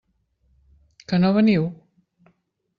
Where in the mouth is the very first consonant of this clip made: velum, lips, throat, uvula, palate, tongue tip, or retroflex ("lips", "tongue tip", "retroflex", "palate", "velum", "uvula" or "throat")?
velum